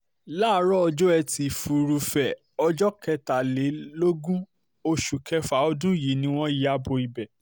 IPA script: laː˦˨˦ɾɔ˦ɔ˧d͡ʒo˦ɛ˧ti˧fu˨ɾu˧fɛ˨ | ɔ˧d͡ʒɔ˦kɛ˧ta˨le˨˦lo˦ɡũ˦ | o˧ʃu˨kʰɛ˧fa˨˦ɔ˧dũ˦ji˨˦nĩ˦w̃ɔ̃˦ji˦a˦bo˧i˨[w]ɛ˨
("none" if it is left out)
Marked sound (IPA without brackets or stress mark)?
b